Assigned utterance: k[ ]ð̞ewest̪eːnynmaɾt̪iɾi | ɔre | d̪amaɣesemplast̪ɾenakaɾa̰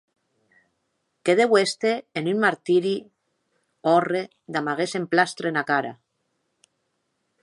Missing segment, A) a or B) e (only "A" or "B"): B